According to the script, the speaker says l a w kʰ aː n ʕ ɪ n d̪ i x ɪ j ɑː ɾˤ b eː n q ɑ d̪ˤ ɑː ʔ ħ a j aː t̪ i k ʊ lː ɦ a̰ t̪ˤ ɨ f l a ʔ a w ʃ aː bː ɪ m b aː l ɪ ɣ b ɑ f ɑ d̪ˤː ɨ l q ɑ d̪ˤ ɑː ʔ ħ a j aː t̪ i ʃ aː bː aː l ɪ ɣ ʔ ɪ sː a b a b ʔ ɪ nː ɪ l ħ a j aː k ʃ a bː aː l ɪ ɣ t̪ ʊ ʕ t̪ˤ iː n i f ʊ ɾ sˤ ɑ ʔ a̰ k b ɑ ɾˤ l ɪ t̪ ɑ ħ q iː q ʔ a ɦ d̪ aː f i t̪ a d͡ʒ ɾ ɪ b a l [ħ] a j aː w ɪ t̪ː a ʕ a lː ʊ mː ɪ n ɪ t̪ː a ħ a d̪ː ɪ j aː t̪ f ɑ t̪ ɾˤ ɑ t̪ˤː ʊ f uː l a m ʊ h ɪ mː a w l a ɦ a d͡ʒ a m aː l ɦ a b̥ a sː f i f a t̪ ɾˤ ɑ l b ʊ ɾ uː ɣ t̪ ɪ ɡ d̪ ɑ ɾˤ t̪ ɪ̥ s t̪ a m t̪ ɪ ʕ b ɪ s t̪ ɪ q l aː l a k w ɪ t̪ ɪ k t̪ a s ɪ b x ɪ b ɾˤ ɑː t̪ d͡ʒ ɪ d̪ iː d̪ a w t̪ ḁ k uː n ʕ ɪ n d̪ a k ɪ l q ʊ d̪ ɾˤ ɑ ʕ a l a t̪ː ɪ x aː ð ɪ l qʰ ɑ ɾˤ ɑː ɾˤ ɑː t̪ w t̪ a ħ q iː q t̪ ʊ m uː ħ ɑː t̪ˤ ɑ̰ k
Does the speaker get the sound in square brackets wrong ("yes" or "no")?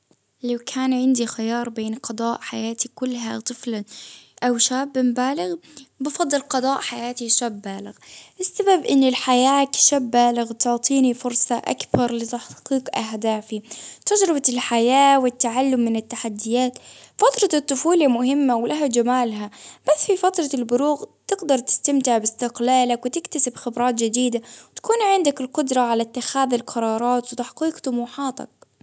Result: no